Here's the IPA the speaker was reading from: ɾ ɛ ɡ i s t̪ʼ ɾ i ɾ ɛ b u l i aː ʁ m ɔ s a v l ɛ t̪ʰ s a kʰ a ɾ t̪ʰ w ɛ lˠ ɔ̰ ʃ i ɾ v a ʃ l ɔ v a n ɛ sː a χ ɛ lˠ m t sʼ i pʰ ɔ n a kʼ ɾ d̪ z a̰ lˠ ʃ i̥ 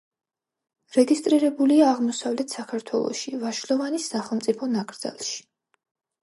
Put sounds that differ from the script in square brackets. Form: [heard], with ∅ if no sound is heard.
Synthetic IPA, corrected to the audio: ɾ ɛ ɡ i s t̪ʼ ɾ i ɾ ɛ b u l i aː ʁ m ɔ s a v l ɛ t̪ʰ s a kʰ a ɾ t̪ʰ w ɛ lˠ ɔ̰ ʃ i [∅] v a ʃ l ɔ v a n [i] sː a χ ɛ lˠ m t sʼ i pʰ ɔ n a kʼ ɾ d̪ z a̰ lˠ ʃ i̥